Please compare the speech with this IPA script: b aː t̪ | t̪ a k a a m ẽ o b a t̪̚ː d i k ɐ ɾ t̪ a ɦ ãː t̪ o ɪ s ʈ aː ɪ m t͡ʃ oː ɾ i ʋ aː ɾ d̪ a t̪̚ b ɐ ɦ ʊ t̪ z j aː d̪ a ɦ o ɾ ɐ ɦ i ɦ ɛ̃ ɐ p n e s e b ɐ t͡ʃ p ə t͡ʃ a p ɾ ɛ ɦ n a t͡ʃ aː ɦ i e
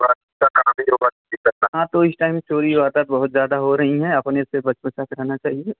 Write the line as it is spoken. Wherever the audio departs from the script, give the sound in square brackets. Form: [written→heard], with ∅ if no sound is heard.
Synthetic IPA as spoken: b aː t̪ | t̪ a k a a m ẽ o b a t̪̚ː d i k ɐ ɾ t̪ a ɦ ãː t̪ o ɪ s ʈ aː ɪ m t͡ʃ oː ɾ i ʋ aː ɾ d̪ a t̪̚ b ɐ ɦ ʊ t̪ z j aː d̪ a ɦ o ɾ ɐ ɦ i ɦ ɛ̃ ɐ p n e s e b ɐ t͡ʃ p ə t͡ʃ a [p→k] ɾ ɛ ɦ n a t͡ʃ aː ɦ i e